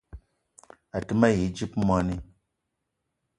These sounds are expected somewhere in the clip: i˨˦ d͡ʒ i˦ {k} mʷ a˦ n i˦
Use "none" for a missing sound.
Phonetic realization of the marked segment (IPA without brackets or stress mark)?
p